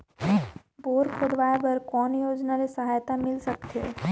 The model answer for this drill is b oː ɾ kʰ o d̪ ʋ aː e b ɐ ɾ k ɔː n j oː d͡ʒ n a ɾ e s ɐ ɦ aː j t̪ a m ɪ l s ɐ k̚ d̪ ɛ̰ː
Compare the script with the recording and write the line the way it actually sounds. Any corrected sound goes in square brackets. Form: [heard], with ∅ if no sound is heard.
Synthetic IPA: b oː ɾ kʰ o d̪ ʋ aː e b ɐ ɾ k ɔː n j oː d͡ʒ n a ɾ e s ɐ ɦ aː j t̪ a m ɪ l s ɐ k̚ [t̪] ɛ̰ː